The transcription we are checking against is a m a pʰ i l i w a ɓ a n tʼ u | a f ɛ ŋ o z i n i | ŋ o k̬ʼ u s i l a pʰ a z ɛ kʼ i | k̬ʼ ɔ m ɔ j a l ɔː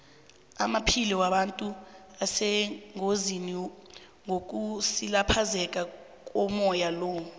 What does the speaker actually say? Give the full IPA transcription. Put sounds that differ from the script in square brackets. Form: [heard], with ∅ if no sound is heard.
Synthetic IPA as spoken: a m a pʰ i l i w a ɓ a n tʼ u | a [s] ɛ ŋ o z i n i | ŋ o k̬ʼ u s i l a pʰ a z ɛ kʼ [a] | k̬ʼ ɔ m ɔ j a l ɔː

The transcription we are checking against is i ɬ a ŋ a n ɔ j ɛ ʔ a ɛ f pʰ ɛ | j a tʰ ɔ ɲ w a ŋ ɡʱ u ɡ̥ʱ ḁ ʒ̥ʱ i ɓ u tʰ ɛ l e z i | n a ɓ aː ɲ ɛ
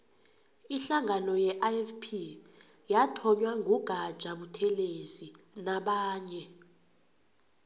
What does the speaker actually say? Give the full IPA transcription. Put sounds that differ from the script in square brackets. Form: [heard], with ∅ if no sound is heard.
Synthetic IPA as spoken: i ɬ a ŋ a n ɔ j ɛ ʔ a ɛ f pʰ [i] | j a tʰ ɔ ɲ w a ŋ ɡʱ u ɡ̥ʱ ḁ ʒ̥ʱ [a] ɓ u tʰ ɛ l e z i | n a ɓ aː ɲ ɛ

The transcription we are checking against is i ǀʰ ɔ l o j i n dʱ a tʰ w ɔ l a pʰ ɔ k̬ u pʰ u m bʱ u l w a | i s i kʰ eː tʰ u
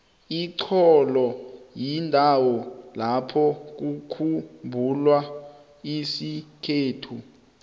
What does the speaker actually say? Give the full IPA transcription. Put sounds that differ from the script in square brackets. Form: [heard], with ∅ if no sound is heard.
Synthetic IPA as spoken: i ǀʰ ɔ l [ɔ] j i n dʱ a [∅] w ɔ l a pʰ ɔ k̬ u [kʰ] u m bʱ u l w a | i s i kʰ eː tʰ u

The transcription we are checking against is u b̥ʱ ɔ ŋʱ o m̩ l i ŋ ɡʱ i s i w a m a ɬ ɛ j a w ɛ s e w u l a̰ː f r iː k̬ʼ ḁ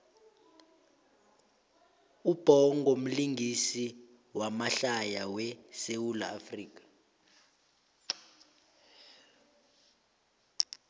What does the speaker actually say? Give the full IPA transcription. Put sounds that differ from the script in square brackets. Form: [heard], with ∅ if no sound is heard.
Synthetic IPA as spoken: u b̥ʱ ɔ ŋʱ o m̩ l i ŋ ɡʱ i s i w a m a ɬ [a] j a w ɛ s e w u l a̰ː f r iː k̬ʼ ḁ

